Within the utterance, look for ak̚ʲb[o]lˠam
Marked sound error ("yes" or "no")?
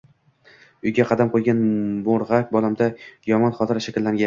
yes